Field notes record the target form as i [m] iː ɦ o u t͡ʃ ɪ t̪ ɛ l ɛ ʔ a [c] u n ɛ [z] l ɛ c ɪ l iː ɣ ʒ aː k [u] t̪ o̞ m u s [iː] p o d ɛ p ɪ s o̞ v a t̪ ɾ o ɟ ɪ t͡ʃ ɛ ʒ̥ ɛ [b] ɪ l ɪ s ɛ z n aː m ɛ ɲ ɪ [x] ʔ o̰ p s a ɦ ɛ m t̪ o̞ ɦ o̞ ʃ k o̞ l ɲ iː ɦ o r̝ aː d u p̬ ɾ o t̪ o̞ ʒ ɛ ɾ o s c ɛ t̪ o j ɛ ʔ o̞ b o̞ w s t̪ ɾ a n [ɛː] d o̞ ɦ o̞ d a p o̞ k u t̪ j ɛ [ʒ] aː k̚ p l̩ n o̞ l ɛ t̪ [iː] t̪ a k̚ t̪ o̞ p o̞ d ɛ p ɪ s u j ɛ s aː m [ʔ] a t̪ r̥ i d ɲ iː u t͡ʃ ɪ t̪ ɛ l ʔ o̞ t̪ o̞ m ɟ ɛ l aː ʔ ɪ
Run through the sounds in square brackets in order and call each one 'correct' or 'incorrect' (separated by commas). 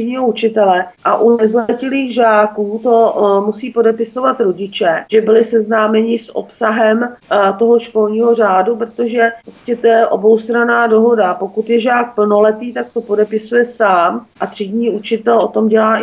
incorrect, incorrect, correct, incorrect, correct, correct, incorrect, incorrect, correct, correct, correct